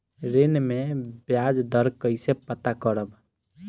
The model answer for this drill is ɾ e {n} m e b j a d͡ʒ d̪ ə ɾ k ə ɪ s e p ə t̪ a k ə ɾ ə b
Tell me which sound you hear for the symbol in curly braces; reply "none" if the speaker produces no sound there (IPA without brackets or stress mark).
n